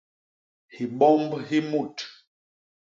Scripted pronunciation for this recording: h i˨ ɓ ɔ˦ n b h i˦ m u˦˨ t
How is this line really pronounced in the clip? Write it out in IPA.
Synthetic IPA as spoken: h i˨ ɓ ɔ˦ m b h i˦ m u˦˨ t